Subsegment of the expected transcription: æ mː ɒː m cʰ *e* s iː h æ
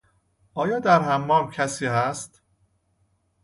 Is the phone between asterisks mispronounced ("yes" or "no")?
yes